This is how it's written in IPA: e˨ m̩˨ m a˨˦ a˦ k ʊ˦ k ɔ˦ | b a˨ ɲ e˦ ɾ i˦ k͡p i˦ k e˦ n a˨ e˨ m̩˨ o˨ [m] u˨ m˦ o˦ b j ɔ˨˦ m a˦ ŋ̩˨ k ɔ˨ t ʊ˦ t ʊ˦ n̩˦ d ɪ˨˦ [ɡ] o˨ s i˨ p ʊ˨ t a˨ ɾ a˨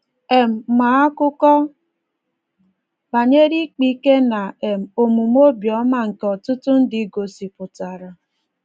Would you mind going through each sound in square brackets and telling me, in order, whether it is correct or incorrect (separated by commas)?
correct, correct